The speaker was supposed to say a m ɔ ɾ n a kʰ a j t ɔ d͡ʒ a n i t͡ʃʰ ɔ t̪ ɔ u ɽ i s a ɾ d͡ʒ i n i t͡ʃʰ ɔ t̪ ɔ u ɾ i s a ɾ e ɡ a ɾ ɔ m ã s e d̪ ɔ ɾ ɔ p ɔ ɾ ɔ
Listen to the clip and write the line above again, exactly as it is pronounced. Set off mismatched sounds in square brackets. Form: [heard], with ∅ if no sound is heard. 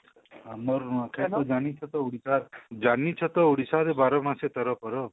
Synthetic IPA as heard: a m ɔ ɾ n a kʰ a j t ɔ d͡ʒ a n i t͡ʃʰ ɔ t̪ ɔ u ɽ i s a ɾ d͡ʒ [a] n i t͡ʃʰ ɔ t̪ ɔ u [ɽ] i s a ɾ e [b] a ɾ ɔ m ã s e [t̪] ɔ ɾ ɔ p ɔ ɾ ɔ